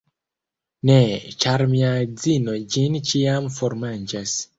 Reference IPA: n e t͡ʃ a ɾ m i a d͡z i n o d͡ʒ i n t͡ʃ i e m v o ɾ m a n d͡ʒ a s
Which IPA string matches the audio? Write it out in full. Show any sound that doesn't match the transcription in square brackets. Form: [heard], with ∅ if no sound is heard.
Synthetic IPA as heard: n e t͡ʃ a ɾ m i a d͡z i n o d͡ʒ i n t͡ʃ i [a] m [f] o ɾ m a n d͡ʒ a s